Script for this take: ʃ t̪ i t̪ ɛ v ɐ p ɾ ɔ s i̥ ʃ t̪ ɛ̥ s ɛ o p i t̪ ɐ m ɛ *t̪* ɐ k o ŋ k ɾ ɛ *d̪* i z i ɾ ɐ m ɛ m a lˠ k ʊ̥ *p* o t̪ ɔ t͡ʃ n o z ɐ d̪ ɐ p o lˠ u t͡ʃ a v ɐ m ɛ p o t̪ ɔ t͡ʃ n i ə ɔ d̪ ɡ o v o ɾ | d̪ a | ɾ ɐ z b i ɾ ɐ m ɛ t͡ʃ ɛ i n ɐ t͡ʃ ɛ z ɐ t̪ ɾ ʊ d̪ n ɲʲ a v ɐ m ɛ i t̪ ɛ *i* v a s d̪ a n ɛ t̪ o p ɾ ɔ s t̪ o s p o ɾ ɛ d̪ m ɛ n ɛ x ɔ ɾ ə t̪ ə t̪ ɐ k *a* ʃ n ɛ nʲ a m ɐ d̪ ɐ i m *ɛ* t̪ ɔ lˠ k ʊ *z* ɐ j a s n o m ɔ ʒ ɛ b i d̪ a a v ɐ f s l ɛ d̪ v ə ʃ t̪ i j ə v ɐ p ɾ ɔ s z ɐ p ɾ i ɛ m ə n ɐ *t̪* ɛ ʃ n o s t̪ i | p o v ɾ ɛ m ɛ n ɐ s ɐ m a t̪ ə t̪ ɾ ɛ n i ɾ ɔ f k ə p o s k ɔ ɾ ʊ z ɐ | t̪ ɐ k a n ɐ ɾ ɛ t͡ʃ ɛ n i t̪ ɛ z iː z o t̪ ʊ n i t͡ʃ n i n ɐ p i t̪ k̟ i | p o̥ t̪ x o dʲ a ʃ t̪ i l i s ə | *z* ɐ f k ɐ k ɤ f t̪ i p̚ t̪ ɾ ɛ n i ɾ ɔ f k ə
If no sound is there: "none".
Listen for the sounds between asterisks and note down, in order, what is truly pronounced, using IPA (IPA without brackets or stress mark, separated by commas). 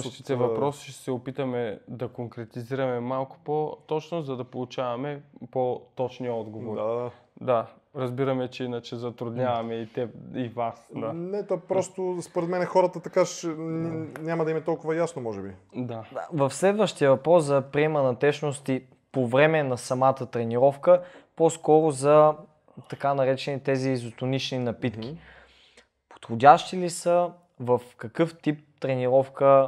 d̪, t̪, p, i, a, ɛ, v, t̪, v